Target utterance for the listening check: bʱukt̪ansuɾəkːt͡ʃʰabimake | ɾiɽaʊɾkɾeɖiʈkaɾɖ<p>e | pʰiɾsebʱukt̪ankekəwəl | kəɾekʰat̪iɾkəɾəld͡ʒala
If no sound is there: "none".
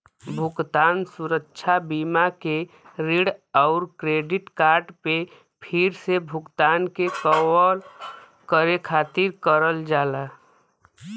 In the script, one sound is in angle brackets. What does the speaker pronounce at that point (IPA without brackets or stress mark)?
p